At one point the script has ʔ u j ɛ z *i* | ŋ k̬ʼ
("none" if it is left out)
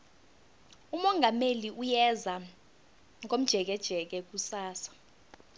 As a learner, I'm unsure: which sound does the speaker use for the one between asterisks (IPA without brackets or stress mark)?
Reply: a